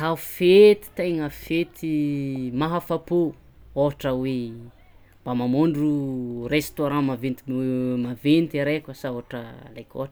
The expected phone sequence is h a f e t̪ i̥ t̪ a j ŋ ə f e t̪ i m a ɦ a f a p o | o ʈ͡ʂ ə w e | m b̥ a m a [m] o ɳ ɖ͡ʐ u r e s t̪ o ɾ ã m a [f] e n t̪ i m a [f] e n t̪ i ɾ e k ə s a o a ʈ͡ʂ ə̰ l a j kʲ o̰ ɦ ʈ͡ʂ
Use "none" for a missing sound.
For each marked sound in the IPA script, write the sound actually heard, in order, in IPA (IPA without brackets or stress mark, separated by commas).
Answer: m, v, v